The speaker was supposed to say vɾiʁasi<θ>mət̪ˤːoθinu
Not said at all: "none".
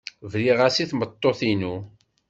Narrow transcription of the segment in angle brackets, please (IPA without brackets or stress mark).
θ